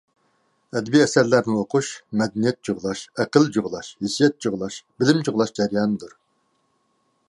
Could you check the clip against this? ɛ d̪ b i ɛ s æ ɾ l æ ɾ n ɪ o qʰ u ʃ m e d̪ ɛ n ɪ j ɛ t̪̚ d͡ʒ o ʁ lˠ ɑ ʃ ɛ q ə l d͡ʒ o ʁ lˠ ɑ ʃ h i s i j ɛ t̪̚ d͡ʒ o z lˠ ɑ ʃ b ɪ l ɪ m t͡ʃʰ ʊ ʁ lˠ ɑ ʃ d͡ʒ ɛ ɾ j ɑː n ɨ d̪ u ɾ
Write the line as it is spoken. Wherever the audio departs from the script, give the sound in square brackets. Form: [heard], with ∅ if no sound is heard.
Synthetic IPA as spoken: ɛ d̪ b i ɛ s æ ɾ l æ ɾ n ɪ o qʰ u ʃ m [ɛ] d̪ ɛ n [i] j ɛ t̪̚ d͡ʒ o ʁ lˠ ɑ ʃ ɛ q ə l d͡ʒ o ʁ lˠ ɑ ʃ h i s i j ɛ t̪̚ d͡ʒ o [ʁ] lˠ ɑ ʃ b ɪ l ɪ m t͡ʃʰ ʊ ʁ lˠ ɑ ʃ d͡ʒ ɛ ɾ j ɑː n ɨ d̪ u ɾ